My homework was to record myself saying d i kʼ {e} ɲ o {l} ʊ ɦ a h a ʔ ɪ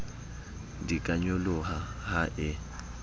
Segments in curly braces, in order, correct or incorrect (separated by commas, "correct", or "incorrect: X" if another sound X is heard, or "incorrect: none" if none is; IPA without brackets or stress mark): incorrect: a, correct